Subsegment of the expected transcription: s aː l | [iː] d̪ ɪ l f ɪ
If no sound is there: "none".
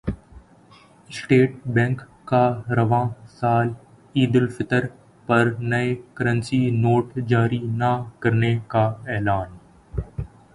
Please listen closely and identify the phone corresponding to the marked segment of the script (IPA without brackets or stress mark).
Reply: iː